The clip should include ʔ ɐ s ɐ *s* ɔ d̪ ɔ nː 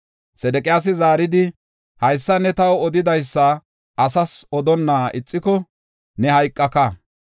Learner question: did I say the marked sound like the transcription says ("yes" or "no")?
yes